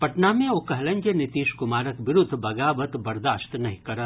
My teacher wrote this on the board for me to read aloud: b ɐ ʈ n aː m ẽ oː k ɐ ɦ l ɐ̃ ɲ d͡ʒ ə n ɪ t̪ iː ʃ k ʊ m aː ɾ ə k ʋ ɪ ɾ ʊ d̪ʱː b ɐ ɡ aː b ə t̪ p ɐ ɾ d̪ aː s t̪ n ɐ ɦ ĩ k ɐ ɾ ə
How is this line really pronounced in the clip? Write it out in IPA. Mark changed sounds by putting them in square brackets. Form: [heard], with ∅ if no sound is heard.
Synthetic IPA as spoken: [p] ɐ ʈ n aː m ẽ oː k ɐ ɦ l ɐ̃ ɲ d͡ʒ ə n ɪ t̪ iː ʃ k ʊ m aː ɾ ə k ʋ ɪ ɾ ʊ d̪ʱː b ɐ ɡ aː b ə t̪ [b] ɐ ɾ d̪ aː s t̪ n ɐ ɦ ĩ k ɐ ɾ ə